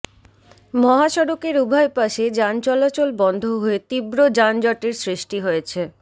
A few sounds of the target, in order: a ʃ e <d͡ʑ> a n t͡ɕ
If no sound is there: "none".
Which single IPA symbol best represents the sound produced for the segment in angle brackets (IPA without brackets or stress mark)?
d͡ʑ